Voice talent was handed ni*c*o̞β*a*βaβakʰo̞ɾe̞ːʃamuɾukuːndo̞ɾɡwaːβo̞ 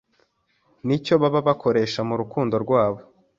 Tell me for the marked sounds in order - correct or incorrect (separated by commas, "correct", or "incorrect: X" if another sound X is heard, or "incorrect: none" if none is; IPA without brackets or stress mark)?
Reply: correct, correct